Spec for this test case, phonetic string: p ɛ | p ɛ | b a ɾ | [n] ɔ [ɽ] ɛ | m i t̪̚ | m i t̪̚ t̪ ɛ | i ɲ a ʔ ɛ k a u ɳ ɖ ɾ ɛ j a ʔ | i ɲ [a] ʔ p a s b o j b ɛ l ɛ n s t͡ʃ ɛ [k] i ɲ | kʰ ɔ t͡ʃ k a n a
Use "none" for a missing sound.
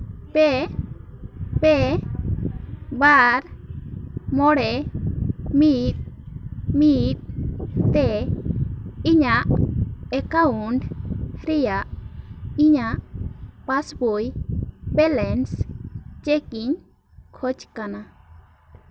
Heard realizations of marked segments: m, ɽ, a, k

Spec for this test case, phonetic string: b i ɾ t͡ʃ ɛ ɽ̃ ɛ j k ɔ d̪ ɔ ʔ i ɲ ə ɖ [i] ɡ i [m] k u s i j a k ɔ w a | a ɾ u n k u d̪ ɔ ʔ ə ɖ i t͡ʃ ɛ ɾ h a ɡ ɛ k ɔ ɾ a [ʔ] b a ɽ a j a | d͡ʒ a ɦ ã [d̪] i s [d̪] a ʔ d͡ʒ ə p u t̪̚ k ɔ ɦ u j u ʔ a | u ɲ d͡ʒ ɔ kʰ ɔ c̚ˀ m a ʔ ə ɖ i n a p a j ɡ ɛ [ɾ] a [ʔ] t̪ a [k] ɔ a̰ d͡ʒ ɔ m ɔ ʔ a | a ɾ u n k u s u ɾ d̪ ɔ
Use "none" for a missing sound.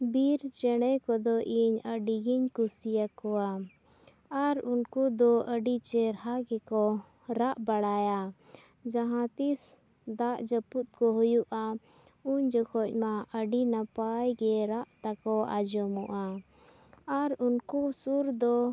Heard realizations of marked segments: i, ɲ, ʔ, t̪, d̪, ɾ, ʔ, k

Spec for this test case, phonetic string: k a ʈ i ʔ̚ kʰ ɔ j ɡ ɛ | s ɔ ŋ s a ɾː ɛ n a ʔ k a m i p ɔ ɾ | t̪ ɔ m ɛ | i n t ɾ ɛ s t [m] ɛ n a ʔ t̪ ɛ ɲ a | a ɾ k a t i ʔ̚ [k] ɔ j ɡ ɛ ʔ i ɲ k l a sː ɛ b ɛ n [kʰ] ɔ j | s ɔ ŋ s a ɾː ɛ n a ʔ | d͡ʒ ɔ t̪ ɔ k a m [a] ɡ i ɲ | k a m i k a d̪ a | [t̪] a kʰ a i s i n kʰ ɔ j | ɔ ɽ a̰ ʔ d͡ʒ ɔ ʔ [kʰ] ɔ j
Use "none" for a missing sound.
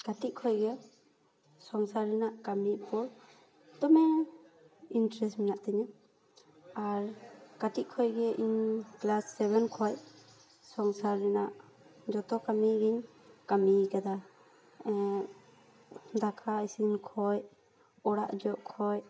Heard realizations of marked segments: m, kʰ, kʰ, i, d̪, kʰ

